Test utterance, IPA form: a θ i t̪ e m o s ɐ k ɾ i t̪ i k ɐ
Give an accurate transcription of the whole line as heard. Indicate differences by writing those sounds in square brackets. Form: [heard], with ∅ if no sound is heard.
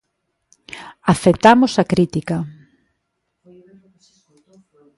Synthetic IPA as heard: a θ [e] t̪ [a] m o s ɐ k ɾ i t̪ i k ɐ